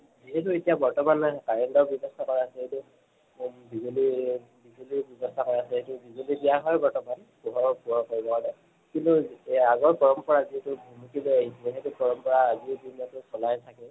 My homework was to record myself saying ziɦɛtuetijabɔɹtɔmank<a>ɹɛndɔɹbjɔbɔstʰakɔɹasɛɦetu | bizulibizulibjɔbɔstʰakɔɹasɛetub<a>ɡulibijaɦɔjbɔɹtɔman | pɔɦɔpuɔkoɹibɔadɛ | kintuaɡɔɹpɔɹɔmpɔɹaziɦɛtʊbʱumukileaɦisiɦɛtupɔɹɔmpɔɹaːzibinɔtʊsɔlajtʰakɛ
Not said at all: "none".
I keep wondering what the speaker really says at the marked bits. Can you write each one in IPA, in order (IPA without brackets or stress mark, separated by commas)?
a, i